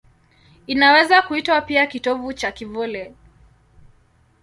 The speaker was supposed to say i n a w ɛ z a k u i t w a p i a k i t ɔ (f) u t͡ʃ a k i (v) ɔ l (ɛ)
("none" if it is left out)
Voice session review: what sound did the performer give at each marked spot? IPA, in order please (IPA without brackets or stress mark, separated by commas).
v, v, ɛ